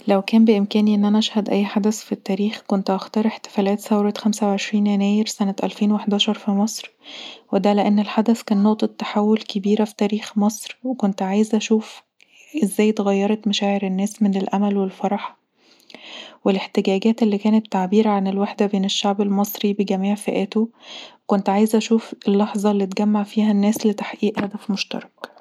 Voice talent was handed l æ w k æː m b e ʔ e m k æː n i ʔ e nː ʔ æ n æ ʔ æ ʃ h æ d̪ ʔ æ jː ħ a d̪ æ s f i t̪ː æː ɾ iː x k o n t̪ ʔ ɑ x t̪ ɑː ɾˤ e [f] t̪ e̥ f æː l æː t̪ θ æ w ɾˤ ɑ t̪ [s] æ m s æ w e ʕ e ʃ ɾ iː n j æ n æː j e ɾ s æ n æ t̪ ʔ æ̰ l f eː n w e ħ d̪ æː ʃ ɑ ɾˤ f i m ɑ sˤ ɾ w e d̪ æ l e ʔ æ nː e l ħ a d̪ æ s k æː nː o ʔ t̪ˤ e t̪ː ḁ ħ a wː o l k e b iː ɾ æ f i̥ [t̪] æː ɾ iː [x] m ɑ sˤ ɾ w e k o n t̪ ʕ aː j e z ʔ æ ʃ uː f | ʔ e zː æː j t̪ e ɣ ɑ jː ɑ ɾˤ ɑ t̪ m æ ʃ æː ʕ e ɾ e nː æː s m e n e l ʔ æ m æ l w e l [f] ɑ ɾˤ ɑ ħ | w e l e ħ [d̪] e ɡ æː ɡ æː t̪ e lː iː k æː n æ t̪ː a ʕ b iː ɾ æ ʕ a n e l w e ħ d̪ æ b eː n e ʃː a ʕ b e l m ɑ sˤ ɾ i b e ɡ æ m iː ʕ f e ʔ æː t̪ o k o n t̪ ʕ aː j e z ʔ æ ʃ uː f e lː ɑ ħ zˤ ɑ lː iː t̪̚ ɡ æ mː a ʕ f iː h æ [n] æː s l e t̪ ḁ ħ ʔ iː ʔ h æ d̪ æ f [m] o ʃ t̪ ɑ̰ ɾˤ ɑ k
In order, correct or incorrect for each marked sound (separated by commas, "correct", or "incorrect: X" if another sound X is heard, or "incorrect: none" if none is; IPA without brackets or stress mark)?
incorrect: ħ, incorrect: x, correct, correct, correct, incorrect: t̪, incorrect: nː, correct